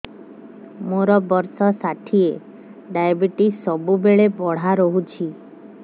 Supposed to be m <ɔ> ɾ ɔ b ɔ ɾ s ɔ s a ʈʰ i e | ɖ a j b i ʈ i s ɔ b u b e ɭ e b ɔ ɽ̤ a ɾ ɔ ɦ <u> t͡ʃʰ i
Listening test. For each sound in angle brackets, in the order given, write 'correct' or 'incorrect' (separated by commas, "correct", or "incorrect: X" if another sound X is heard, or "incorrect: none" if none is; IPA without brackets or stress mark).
incorrect: o, correct